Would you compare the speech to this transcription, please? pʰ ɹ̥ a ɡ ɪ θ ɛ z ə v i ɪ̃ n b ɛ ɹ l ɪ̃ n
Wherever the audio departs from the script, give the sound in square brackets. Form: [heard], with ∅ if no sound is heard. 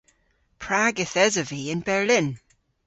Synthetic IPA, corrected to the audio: pʰ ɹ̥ a ɡ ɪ θ ɛ z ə v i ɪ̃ n b ɛ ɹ l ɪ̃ n